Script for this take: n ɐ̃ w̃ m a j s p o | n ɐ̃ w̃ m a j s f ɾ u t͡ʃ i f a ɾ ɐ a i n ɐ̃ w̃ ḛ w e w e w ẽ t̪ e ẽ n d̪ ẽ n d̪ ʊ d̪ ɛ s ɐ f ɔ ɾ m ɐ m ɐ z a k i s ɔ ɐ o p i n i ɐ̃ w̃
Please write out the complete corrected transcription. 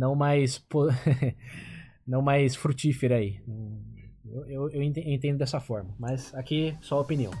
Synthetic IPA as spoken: n ɐ̃ w̃ m a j s p o | n ɐ̃ w̃ m a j s f ɾ u t͡ʃ i f e ɾ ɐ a i n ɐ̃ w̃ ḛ w e w e w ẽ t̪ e ẽ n t̪ ẽ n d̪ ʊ d̪ ɛ s ɐ f ɔ ɾ m ɐ m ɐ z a k i s ɔ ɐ o p i n i ɐ̃ w̃